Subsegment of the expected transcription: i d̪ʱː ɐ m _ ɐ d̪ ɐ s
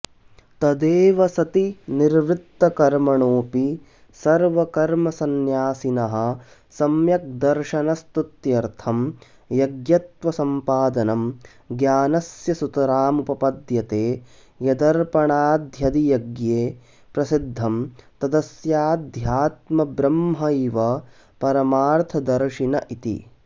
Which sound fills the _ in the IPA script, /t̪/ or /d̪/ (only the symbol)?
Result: t̪